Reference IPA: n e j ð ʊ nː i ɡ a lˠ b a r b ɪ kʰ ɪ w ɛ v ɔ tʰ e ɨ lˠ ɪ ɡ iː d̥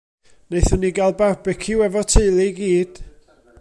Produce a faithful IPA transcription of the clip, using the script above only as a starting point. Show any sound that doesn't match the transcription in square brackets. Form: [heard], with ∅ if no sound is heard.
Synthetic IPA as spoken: n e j [θ] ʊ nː i ɡ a lˠ b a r b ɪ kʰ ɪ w ɛ v ɔ tʰ e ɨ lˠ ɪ ɡ iː d̥